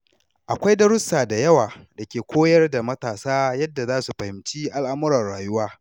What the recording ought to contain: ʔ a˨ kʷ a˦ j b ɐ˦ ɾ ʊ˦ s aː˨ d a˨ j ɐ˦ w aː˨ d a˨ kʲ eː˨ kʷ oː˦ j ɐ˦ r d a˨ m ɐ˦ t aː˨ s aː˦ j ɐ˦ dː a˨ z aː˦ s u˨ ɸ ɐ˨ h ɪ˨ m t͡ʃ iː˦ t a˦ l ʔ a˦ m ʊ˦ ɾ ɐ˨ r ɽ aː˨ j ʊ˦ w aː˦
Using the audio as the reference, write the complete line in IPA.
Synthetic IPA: ʔ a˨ kʷ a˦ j d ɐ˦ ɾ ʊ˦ s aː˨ d a˨ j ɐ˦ w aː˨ d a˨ kʲ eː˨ kʷ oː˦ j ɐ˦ r d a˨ m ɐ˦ t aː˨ s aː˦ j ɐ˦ dː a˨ z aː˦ s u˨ ɸ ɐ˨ h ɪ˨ m t͡ʃ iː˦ ʔ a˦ l ʔ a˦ m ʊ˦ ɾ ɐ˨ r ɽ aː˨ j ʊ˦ w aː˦